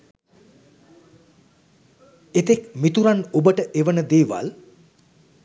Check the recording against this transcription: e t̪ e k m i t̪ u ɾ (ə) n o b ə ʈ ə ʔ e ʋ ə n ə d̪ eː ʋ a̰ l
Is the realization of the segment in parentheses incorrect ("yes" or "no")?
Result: yes